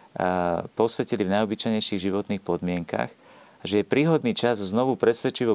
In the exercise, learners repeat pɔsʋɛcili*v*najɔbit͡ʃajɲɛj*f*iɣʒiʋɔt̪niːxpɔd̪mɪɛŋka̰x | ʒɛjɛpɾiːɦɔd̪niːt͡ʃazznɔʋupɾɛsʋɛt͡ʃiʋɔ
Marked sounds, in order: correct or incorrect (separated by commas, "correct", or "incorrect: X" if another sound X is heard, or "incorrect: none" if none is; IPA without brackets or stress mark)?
correct, incorrect: ʃ